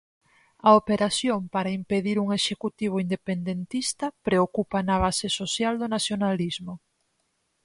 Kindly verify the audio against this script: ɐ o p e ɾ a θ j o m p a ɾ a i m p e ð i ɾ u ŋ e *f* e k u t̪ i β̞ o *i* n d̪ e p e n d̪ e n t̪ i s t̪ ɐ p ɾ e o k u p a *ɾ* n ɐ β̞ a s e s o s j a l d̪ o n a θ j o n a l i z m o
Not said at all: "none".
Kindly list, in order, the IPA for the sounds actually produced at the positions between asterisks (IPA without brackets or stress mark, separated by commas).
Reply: ʃ, i, none